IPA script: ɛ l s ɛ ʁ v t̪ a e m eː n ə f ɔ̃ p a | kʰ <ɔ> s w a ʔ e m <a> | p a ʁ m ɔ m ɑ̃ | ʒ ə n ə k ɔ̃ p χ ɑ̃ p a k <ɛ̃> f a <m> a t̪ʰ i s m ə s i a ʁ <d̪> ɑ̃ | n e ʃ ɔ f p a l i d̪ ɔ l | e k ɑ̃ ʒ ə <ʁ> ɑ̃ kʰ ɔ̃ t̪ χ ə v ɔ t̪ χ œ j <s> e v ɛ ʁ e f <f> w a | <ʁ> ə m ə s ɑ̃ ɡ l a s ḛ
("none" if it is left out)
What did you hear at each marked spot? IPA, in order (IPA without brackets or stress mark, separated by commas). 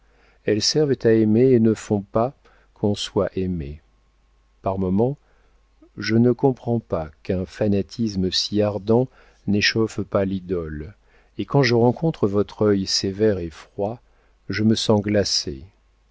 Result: ɔ̃, e, ɛ̃, n, d̪, ʁ, s, χ, ʒ